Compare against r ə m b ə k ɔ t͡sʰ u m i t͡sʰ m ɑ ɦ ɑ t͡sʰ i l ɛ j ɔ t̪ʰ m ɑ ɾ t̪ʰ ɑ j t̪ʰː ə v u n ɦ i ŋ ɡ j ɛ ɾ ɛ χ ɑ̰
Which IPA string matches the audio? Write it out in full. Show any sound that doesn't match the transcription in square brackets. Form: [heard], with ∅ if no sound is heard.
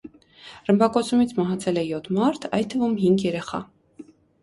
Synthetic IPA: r ə m b [ɑ] k ɔ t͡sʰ u m i t͡sʰ m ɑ ɦ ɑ t͡sʰ [ɛ] l ɛ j ɔ t̪ʰ m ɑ ɾ t̪ʰ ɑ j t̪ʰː ə v u [m] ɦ i ŋ ɡ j ɛ ɾ ɛ χ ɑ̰